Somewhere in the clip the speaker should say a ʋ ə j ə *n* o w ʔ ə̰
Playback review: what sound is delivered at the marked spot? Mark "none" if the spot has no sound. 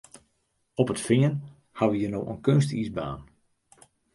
n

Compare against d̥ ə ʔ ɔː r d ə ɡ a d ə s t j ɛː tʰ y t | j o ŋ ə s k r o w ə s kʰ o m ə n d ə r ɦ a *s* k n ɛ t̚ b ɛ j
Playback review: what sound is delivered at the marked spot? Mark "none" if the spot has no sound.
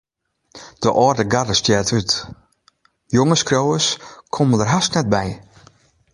s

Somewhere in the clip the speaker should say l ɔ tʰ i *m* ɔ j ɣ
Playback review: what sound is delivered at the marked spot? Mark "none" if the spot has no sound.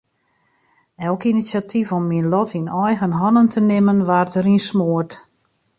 n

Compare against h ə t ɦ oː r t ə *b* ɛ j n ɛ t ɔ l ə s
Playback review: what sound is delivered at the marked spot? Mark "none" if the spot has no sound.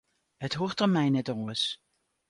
m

